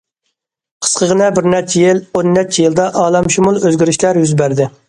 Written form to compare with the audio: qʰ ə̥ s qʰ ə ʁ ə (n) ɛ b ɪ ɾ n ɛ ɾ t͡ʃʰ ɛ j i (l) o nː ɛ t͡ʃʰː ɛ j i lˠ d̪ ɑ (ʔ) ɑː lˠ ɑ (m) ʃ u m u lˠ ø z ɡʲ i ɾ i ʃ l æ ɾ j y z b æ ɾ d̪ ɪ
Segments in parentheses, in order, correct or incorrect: correct, correct, correct, correct

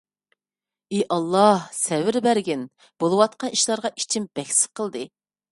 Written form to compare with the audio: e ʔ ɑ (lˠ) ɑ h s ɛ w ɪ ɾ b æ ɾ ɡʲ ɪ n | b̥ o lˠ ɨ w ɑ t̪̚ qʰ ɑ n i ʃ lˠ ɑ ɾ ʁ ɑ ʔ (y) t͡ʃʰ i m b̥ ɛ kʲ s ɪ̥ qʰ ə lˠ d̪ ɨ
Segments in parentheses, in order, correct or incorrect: incorrect: lˠː, incorrect: i

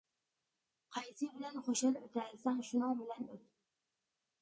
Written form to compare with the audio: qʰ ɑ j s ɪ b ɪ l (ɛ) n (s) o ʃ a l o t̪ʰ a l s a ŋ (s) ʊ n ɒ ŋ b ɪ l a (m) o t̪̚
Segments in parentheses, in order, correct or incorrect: incorrect: a, incorrect: χ, incorrect: ʃ, incorrect: n

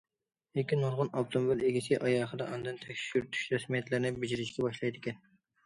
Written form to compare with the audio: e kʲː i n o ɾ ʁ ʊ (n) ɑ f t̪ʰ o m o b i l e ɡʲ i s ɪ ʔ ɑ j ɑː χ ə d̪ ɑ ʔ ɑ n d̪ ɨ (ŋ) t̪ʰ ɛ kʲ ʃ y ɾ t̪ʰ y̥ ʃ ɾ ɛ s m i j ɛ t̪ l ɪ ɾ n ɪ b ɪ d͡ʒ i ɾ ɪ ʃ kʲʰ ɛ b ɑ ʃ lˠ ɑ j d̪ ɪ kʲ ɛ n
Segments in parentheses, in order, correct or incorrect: correct, incorrect: n

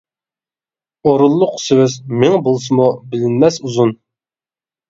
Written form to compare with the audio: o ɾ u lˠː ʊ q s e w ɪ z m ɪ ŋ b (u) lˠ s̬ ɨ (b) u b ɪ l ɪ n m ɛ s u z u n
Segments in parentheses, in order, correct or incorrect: incorrect: o, incorrect: m

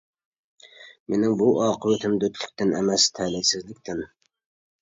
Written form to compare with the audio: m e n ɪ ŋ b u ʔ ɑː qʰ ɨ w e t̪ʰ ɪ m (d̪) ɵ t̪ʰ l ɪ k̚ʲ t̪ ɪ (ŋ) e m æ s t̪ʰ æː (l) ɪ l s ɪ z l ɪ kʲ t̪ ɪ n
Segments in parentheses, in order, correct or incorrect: correct, incorrect: n, correct

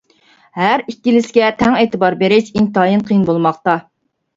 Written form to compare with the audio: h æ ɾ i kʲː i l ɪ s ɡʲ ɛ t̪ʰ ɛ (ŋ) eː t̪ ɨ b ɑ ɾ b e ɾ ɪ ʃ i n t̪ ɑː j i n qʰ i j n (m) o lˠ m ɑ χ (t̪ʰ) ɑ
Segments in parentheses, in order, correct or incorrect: correct, incorrect: b, incorrect: t̪

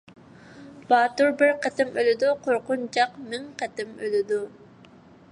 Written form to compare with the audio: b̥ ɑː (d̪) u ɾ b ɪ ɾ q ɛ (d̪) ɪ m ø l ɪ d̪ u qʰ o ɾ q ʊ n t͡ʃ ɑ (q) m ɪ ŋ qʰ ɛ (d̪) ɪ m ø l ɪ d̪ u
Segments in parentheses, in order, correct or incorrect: incorrect: t̪, incorrect: t̪, correct, incorrect: t̪

